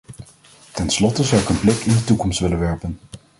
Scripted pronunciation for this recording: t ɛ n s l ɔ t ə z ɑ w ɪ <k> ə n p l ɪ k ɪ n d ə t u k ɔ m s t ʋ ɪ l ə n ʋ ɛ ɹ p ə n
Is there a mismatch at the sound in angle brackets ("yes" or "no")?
no